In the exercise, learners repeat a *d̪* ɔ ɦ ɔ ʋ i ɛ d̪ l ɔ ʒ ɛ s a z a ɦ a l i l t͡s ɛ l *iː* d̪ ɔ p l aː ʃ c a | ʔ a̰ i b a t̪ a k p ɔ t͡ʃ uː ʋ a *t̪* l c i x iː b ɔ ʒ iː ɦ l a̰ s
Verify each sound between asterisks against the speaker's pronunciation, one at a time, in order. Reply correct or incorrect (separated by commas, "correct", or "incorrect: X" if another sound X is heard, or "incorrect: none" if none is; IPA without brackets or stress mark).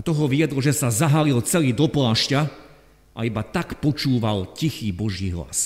incorrect: t̪, correct, incorrect: none